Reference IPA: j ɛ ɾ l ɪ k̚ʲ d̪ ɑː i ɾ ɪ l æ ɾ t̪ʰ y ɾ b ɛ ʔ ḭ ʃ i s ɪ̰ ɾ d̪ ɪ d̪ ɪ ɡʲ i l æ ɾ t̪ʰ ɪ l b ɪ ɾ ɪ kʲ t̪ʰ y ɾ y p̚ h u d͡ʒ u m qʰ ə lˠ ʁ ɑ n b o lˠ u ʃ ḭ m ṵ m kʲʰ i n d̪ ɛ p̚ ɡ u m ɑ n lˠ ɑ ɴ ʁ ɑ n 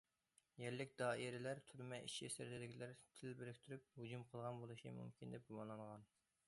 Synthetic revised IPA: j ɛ ɾ l ɪ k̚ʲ d̪ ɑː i ɾ ɪ l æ ɾ t̪ʰ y ɾ m ɛ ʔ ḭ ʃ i s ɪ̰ ɾ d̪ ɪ d̪ ɪ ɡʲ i l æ ɾ t̪ʰ ɪ l b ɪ ɾ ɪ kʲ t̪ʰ y ɾ y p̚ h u d͡ʒ u m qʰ ə lˠ ʁ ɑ n b o lˠ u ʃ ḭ m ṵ m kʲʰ i n d̪ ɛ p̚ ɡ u m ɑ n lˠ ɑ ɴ ʁ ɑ n